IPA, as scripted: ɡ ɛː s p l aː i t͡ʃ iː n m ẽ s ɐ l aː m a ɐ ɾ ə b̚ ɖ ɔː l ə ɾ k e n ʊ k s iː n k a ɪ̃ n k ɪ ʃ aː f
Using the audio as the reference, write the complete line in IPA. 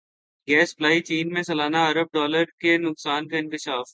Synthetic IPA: ɡ ɛː s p l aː i t͡ʃ iː n m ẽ s ɐ l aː n a ɐ ɾ ə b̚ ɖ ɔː l ə ɾ k e n ʊ k s aː n k a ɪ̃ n k ɪ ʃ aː f